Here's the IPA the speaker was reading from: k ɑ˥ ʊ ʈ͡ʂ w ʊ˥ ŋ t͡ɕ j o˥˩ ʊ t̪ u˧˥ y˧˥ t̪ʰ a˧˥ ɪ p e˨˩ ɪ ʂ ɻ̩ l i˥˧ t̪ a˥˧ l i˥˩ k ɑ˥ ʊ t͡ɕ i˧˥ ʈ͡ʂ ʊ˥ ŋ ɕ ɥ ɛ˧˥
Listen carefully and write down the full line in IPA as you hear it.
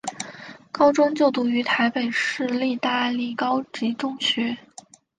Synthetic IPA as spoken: k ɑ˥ ʊ ʈ͡ʂ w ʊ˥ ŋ t͡ɕ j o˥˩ ʊ t̪ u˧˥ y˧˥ t̪ʰ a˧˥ ɪ p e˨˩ ɪ ʂ ɻ̩ l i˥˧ t̪ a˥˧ l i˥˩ k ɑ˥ ʊ t͡ɕ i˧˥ ʈ͡ʂ ʊ˥ ŋ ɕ ɥ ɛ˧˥

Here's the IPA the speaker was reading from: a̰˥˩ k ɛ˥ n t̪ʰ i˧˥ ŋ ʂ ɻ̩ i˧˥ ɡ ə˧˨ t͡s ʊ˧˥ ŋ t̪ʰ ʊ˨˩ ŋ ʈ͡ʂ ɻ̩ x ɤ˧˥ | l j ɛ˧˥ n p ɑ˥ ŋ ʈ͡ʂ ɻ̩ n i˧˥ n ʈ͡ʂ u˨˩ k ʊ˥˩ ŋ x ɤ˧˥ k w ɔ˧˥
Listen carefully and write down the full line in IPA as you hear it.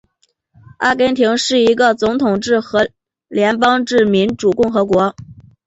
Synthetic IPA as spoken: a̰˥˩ k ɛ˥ n t̪ʰ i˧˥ ŋ ʂ ɻ̩ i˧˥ ɡ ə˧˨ t͡s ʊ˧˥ ŋ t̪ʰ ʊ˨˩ ŋ ʈ͡ʂ ɻ̩ x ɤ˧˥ | l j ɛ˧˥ n p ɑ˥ ŋ ʈ͡ʂ ɻ̩ m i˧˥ n ʈ͡ʂ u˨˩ k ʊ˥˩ ŋ x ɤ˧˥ k w ɔ˧˥

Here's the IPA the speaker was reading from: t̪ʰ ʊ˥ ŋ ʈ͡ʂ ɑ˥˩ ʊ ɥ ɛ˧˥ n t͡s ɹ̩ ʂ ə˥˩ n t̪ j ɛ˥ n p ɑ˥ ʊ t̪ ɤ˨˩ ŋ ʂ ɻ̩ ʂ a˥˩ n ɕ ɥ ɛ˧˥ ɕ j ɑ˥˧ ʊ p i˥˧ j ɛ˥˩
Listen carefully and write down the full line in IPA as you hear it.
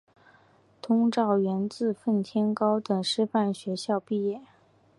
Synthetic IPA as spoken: t̪ʰ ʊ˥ ŋ ʈ͡ʂ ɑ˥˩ ʊ ɥ ɛ˧˥ n t͡s ɹ̩ f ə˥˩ n t̪ʰ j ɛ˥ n k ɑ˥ ʊ t̪ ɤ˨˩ ŋ ʂ ɻ̩ f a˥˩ n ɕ ɥ ɛ˧˥ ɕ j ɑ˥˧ ʊ p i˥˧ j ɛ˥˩

